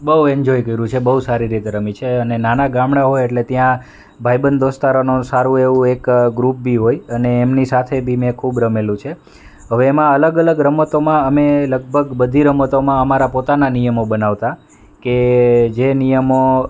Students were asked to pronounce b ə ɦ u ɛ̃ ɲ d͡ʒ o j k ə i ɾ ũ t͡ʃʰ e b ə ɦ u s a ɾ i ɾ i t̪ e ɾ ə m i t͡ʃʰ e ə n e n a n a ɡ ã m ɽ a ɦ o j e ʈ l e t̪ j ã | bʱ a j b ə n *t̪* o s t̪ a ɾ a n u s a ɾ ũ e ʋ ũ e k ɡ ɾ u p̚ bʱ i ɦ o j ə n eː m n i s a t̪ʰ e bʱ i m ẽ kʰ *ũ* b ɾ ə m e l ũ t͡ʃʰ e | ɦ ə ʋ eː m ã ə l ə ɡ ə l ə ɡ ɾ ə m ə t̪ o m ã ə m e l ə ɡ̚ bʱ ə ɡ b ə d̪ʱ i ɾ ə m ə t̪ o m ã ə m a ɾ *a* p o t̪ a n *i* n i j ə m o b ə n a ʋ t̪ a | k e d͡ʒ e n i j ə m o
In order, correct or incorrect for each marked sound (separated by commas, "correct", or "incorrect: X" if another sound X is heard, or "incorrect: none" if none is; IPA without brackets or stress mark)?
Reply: incorrect: d̪, incorrect: u, correct, incorrect: a